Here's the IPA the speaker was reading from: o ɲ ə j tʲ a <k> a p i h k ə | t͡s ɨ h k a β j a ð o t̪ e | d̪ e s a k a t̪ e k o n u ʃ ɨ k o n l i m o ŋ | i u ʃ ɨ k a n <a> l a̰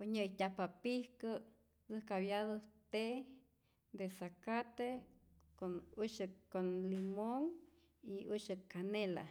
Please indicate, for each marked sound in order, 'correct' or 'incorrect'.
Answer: incorrect: p, incorrect: e

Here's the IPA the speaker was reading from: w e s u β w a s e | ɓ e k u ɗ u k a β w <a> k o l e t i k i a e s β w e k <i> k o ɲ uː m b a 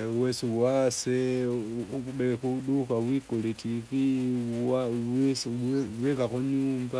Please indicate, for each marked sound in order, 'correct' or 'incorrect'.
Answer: incorrect: i, incorrect: a

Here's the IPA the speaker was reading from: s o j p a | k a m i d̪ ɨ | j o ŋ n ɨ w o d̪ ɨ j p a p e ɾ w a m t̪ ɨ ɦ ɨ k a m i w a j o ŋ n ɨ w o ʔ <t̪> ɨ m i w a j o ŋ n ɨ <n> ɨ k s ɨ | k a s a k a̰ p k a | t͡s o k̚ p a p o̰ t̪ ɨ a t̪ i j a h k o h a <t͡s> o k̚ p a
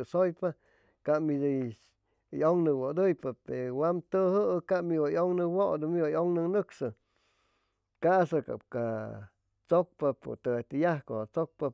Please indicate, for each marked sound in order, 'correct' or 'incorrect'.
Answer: incorrect: d̪, correct, correct

